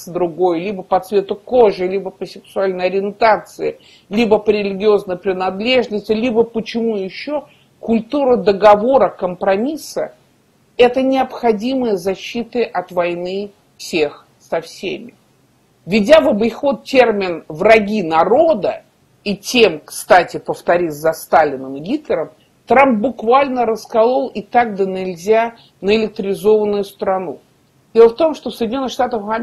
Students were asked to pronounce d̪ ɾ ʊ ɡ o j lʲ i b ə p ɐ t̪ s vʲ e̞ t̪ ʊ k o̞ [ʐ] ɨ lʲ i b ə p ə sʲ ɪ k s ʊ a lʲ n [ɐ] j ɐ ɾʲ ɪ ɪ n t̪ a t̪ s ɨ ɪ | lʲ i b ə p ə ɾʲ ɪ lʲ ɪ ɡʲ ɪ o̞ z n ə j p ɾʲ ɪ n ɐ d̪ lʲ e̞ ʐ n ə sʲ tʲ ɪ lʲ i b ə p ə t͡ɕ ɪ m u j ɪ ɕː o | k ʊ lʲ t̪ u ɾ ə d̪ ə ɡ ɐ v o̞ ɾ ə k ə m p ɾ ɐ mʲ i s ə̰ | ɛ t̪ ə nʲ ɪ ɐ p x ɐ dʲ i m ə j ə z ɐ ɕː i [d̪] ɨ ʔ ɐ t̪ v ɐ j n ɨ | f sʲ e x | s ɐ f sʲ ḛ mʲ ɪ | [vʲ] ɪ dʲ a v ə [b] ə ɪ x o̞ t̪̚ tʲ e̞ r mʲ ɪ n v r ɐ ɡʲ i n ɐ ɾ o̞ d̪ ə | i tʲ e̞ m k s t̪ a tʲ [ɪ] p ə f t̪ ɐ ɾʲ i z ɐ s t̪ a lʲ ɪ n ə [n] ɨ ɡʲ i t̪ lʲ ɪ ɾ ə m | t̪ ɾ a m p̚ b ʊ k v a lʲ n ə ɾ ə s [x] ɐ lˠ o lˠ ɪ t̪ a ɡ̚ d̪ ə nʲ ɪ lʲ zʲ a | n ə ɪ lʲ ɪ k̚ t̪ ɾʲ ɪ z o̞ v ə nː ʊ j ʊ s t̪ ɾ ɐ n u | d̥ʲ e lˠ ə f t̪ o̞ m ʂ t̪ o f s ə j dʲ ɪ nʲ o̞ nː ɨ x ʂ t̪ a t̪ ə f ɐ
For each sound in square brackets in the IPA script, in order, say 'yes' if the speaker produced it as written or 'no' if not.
yes, no, no, yes, yes, yes, no, no

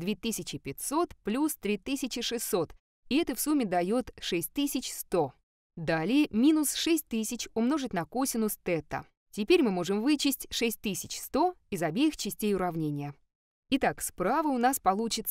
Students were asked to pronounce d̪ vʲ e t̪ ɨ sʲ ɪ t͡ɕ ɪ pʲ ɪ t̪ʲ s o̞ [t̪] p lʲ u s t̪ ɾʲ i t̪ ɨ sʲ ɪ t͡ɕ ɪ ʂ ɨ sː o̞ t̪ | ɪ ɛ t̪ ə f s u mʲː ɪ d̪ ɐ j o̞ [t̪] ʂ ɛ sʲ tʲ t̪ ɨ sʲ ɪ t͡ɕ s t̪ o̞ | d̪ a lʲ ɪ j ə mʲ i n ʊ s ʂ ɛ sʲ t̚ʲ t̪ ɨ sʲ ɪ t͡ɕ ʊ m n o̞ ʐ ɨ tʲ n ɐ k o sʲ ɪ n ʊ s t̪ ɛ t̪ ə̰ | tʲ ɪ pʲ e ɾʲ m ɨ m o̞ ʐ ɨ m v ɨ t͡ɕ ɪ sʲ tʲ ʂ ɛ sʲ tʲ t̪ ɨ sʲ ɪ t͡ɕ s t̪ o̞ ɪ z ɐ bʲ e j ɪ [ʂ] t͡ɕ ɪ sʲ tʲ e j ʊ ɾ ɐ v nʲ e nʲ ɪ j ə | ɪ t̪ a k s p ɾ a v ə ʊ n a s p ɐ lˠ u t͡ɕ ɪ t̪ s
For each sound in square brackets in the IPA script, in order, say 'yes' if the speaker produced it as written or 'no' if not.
yes, yes, no

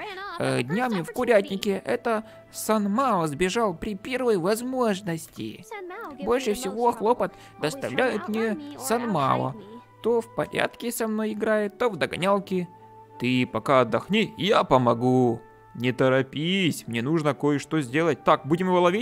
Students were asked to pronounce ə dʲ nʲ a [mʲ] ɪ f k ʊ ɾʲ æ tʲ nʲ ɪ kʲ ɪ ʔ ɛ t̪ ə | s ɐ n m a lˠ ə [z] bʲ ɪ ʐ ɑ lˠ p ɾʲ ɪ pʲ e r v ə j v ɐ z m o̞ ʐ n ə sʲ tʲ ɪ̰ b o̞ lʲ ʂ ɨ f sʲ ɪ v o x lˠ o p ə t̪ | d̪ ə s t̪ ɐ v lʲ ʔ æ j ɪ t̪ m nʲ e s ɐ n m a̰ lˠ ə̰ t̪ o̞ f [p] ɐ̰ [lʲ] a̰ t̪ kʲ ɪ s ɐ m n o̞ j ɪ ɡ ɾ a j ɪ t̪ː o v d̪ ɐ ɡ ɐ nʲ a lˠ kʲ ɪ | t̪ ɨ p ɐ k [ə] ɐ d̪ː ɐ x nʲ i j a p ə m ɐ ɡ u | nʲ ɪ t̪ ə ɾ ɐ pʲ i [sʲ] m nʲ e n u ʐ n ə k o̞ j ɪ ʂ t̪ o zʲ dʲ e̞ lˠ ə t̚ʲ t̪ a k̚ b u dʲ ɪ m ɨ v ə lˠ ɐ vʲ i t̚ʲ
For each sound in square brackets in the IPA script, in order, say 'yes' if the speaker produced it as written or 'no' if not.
yes, yes, yes, no, no, yes

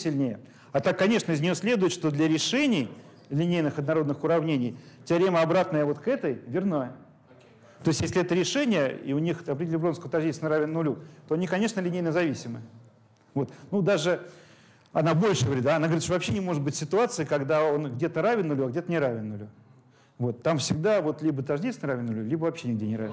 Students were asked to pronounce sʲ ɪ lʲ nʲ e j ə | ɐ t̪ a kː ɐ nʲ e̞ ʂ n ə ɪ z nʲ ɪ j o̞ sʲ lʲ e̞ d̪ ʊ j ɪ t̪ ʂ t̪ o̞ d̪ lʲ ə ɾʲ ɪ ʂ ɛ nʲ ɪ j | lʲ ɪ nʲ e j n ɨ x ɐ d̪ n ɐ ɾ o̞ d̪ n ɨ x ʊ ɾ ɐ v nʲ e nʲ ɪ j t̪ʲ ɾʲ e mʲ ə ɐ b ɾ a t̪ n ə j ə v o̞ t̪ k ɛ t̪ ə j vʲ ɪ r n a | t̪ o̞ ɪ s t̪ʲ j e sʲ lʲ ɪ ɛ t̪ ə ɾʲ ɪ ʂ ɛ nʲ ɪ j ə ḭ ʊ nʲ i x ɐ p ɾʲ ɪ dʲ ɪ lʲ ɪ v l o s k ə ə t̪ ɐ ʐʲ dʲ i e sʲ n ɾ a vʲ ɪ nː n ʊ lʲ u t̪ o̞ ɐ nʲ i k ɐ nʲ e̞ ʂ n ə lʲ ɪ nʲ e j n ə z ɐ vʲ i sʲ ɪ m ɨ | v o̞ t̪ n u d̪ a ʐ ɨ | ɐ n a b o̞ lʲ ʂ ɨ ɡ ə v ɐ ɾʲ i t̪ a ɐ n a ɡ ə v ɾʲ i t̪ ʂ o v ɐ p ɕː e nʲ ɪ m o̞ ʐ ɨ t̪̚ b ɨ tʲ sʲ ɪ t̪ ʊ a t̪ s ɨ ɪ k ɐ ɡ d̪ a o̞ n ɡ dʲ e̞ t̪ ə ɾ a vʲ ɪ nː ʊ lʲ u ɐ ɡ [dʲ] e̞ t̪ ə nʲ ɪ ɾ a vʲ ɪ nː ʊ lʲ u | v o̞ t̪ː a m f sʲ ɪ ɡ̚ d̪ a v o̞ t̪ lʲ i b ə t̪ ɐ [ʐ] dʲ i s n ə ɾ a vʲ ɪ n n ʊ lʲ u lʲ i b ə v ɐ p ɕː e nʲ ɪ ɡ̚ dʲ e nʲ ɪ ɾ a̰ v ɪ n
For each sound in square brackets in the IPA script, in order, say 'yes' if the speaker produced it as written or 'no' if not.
yes, yes

